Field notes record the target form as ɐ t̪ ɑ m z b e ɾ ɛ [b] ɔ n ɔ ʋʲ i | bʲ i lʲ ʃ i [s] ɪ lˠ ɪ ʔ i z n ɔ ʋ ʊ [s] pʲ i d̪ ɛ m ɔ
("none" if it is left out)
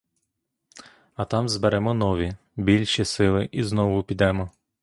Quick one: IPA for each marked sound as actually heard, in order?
m, s, none

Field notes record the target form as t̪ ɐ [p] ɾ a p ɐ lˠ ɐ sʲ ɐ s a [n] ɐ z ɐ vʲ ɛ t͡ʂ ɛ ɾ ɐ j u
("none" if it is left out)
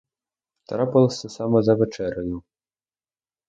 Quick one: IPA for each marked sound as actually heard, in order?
none, m

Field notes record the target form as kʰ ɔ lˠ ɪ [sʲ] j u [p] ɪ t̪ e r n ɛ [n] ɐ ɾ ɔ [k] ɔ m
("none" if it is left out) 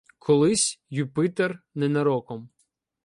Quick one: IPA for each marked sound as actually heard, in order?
sʲ, p, n, k

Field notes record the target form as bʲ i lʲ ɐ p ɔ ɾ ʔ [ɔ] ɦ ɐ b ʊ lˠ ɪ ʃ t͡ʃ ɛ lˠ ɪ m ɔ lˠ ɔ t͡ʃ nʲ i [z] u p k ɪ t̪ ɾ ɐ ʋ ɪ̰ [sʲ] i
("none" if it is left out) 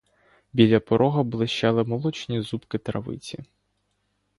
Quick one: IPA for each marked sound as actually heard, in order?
ɔ, z, t͡sʲ

